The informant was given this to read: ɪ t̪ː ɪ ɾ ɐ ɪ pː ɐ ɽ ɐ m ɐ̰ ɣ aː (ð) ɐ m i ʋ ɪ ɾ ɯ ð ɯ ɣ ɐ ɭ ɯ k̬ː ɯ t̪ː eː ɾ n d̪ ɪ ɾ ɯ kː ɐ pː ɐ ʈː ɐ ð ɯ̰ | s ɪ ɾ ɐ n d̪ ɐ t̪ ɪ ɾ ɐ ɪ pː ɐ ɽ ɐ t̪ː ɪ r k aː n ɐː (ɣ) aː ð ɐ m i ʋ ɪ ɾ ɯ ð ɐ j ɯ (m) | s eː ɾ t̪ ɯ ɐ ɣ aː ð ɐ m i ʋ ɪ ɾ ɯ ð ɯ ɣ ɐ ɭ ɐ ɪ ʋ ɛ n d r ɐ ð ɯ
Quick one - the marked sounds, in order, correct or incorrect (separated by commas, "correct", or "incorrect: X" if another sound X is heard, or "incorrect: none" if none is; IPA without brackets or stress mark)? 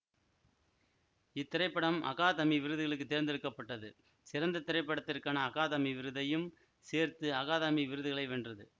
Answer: correct, correct, correct